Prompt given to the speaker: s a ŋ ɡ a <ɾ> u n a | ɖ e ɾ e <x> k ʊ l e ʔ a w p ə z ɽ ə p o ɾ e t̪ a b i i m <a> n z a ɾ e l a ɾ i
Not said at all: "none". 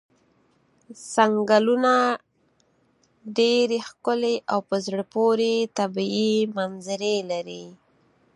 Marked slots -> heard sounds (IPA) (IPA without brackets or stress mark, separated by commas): l, x, a